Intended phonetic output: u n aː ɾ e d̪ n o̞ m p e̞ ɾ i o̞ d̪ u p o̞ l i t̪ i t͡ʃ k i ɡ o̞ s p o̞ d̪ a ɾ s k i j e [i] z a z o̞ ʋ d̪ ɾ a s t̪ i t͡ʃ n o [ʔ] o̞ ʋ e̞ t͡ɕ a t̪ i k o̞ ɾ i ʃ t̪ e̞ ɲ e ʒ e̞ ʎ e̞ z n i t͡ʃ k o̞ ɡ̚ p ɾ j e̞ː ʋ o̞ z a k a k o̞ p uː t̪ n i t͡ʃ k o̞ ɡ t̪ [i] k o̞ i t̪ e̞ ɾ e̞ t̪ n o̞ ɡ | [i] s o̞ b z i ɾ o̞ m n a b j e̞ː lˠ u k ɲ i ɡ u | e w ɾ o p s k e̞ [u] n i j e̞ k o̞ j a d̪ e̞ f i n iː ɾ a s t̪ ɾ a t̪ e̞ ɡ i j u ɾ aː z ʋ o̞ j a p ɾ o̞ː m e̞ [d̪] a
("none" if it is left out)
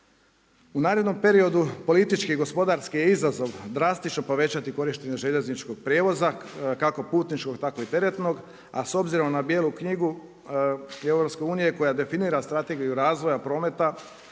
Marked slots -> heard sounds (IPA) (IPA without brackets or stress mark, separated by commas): i, p, a, a, uː, t̪